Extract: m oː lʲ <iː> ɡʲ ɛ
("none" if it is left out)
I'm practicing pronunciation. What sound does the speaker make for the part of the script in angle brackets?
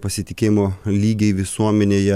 iː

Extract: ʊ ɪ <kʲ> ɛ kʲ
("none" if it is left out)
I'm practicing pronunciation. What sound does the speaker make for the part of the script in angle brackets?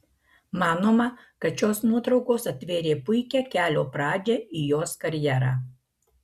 kʲ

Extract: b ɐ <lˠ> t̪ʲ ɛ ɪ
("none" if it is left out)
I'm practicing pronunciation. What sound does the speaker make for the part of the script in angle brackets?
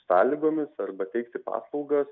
none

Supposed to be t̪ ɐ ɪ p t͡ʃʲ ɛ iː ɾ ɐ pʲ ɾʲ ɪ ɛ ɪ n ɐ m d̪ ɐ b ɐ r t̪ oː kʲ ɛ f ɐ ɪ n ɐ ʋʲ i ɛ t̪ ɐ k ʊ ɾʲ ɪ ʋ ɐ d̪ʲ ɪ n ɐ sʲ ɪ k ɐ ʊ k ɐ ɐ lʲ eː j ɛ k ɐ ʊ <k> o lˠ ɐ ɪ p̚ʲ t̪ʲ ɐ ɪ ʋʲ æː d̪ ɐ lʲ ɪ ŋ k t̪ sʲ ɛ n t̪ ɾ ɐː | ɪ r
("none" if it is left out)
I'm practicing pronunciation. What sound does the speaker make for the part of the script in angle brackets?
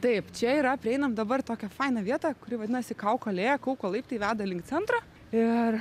k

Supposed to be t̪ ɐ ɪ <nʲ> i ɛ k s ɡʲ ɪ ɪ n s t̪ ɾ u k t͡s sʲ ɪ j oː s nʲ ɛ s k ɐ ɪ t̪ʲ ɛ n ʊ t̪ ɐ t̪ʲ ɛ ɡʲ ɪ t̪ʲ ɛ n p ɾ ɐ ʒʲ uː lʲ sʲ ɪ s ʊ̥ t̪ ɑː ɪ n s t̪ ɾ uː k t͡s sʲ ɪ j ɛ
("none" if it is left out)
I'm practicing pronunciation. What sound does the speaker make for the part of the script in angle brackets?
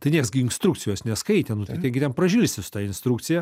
nʲ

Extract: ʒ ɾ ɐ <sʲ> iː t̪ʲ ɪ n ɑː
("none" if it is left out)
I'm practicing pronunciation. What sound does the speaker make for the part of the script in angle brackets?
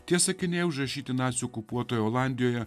ʃʲ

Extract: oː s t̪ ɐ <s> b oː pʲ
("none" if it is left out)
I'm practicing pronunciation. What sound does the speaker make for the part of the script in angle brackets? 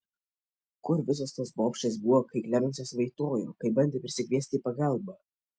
s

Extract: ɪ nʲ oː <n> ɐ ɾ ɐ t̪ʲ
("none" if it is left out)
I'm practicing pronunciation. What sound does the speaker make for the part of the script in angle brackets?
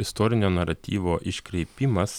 n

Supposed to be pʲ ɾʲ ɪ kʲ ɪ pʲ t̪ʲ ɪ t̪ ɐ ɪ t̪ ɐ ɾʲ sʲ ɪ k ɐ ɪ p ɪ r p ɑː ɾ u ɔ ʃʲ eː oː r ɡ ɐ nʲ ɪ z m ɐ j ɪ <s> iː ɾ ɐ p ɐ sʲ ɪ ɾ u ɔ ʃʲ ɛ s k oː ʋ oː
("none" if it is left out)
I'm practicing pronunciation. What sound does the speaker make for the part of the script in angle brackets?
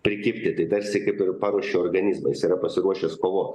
s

